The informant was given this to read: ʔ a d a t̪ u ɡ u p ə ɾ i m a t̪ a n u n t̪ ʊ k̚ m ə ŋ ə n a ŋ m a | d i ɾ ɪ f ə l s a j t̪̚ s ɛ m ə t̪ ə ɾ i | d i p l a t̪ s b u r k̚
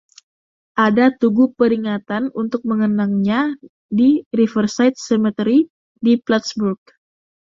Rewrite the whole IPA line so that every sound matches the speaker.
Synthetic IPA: ʔ a d a t̪ u ɡ u p ə ɾ i ŋ a t̪ a n u n t̪ ʊ k̚ m ə ŋ ə n a ŋ ɲ a | d i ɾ i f ə r s a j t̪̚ s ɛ m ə t̪ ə ɾ i | d i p l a t̪ s b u r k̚